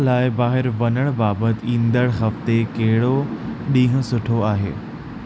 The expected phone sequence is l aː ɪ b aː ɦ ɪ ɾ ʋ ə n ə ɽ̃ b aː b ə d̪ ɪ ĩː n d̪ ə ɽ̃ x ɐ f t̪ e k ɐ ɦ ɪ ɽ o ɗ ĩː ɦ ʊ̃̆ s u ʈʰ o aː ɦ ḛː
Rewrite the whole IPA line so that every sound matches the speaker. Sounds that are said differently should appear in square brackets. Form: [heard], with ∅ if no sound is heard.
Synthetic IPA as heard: l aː ɪ b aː ɦ ɪ ɾ ʋ [ɐ] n ə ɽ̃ b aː b ə [t̪] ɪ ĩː n d̪ ə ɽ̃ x ɐ f t̪ e k ɐ ɦ ɪ ɽ o ɗ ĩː ɦ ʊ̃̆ s [ʊ] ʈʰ o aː ɦ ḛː